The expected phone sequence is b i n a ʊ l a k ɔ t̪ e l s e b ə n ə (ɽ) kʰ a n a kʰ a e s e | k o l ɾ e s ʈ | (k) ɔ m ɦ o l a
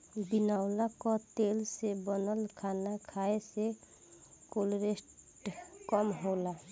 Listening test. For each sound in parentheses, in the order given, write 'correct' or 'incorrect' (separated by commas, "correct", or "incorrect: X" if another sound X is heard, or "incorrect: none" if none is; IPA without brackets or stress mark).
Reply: incorrect: l, correct